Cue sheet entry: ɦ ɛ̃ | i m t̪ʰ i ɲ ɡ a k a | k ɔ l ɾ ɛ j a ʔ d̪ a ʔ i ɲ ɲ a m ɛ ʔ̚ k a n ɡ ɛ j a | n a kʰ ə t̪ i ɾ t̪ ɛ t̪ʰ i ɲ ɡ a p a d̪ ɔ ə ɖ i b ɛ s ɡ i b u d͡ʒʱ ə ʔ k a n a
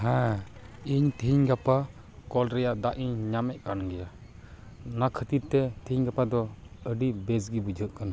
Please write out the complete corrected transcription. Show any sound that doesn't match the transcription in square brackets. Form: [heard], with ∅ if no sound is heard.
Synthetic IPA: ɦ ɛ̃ | i [ɲ] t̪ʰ i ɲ ɡ a [p] a | k ɔ l ɾ ɛ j a ʔ d̪ a ʔ i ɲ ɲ a m ɛ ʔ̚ k a n ɡ ɛ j a | n a kʰ ə t̪ i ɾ t̪ ɛ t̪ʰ i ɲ ɡ a p a d̪ ɔ ə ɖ i b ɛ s ɡ i b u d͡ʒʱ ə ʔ k a n a